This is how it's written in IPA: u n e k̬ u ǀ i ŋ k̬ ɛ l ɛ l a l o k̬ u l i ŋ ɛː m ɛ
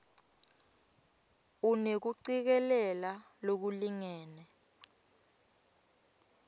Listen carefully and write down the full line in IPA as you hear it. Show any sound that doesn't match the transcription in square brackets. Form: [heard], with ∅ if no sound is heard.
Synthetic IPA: u n e k̬ u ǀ i [∅] k̬ ɛ l ɛ l a l o k̬ u l i ŋ ɛː [n] ɛ